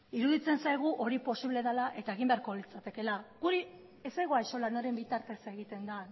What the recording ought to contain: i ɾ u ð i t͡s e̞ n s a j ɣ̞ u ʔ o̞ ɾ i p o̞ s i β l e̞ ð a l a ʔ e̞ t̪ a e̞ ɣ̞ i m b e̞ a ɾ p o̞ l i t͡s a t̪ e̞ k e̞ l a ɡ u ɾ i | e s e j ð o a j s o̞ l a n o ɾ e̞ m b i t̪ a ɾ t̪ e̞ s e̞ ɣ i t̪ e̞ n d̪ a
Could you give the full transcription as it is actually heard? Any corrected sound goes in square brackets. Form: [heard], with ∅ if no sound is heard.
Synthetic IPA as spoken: i ɾ u ð i t͡s e̞ n s a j ɣ̞ u ʔ o̞ ɾ i p o̞ s i β l e̞ ð a l a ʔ e̞ t̪ a e̞ ɣ̞ i m b e̞ a ɾ [k] o̞ l i t͡s a t̪ e̞ k e̞ l a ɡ u ɾ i | e s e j [ɣ] o a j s o̞ l a n o ɾ e̞ m b i t̪ a ɾ t̪ e̞ s e̞ ɣ i t̪ e̞ n d̪ a